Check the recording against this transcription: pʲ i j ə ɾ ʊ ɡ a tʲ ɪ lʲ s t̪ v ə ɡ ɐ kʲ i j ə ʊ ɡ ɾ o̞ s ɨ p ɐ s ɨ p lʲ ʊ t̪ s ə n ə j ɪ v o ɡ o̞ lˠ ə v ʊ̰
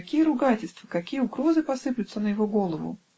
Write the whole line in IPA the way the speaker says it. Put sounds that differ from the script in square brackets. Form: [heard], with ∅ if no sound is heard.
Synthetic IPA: [kʲ] i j ə ɾ ʊ ɡ a tʲ ɪ lʲ s t̪ v ə [k] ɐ kʲ i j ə ʊ ɡ ɾ o̞ [z] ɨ p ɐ s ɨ p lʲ ʊ t̪ s ə n ə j ɪ v o ɡ o̞ lˠ ə v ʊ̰